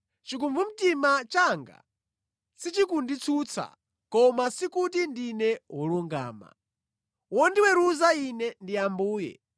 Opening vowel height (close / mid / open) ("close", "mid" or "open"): close